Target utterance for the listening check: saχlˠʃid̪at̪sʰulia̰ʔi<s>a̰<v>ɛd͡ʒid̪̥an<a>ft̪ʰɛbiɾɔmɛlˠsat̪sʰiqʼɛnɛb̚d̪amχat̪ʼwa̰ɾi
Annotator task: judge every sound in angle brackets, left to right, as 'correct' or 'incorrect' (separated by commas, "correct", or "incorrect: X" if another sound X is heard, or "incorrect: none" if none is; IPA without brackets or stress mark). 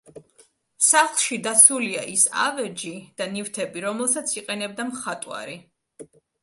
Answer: correct, correct, incorrect: i